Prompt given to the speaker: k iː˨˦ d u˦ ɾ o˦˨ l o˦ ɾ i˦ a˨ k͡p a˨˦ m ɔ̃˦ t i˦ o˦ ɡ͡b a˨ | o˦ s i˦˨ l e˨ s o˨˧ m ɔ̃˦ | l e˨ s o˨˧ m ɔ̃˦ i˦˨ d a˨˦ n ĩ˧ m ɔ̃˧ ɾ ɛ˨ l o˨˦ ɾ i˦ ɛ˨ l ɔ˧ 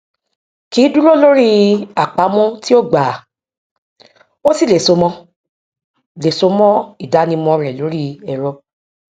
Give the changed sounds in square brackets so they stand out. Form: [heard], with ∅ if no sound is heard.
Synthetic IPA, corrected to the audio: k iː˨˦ d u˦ ɾ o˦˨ l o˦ ɾ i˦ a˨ k͡p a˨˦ m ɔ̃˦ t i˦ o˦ ɡ͡b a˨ | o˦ s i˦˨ l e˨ s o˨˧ m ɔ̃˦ | l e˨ s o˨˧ m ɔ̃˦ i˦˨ d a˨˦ n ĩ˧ m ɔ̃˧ ɾ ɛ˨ l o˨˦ ɾ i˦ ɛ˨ [ɾ] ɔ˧